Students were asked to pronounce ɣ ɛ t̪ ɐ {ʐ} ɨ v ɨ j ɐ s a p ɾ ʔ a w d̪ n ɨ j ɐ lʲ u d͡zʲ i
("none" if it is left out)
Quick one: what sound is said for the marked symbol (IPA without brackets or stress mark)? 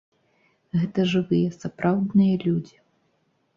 ʐ